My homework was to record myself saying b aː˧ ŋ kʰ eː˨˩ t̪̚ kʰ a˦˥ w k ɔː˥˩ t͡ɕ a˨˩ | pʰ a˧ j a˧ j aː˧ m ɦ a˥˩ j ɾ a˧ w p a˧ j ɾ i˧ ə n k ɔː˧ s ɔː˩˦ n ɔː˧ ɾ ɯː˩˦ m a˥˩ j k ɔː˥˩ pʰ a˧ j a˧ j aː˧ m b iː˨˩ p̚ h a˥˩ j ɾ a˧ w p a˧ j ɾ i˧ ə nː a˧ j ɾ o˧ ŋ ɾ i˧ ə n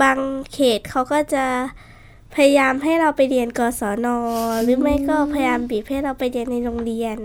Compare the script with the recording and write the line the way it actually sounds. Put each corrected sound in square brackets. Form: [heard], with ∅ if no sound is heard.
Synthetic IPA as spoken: b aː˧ ŋ kʰ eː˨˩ t̪̚ kʰ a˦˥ w k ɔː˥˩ t͡ɕ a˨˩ | pʰ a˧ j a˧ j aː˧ m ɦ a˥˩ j ɾ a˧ w p a˧ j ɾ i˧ ə n k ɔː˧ s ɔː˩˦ n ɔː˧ ɾ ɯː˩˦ m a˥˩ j k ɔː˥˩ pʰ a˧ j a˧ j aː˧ m b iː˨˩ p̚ h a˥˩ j ɾ a˧ w p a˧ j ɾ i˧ ə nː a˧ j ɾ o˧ ŋ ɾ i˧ ə n